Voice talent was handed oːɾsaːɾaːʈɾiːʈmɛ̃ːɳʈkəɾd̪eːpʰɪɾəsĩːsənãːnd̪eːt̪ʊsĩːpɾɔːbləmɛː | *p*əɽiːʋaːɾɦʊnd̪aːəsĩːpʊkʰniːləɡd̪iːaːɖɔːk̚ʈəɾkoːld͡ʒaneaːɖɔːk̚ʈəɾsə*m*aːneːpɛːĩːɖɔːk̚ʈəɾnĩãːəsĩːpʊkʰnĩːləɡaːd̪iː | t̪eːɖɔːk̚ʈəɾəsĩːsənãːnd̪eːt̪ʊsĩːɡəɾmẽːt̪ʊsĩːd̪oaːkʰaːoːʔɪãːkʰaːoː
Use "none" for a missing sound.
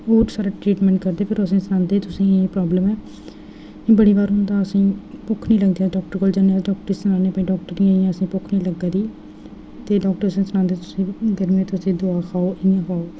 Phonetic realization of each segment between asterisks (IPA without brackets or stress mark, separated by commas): b, n